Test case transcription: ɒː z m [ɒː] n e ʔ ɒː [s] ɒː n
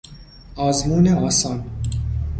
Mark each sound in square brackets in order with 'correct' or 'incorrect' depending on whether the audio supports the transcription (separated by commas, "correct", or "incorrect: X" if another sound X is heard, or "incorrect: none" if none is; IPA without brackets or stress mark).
incorrect: uː, correct